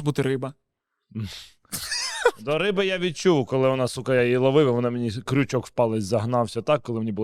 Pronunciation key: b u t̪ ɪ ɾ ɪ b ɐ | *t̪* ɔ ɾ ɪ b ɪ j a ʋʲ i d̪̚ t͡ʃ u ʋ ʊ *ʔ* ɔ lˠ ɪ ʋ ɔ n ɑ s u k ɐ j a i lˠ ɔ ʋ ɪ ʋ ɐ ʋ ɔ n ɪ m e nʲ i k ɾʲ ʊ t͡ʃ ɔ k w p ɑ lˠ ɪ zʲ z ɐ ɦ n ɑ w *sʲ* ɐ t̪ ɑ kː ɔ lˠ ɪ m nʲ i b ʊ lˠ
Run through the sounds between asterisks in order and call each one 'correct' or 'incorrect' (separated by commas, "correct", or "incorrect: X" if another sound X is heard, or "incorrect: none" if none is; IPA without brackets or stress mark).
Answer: incorrect: d̪, incorrect: k, correct